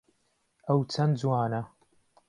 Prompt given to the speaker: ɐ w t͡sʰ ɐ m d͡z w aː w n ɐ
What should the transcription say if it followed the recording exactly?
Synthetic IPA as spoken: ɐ w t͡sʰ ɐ n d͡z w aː n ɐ